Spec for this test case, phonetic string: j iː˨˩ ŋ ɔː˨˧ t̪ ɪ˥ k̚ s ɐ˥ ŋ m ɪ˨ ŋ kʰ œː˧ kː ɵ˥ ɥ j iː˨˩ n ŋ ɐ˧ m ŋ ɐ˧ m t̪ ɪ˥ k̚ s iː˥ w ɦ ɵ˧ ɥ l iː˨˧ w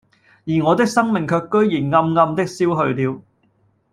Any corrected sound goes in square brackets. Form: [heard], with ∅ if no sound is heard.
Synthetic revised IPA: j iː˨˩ ŋ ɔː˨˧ t̪ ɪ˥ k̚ s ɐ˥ ŋ m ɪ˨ ŋ kʰ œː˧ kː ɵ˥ ɥ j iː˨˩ n ŋ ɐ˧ m ŋ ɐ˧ m t̪ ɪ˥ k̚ s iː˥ w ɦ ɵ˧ ɥ l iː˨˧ w